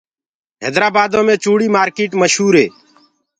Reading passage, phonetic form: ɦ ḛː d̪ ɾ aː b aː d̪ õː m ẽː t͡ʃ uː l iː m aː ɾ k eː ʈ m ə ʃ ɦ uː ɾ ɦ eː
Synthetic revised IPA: ɦ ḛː d̪ ɾ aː b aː d̪ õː m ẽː t͡ʃ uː ɽ iː m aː ɾ k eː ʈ m ə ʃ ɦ uː ɾ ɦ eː